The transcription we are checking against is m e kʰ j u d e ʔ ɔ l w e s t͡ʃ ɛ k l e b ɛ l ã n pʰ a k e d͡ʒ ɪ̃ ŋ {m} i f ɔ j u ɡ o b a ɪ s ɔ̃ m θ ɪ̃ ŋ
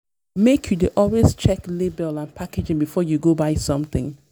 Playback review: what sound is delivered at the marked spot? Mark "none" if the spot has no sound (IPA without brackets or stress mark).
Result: b